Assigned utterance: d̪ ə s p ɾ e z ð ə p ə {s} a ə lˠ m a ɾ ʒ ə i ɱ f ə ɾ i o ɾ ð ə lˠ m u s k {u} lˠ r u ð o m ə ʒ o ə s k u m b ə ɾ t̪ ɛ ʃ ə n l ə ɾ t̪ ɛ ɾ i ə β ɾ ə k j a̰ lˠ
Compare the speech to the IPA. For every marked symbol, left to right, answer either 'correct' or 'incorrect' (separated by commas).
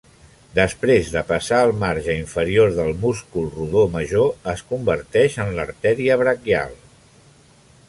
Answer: correct, correct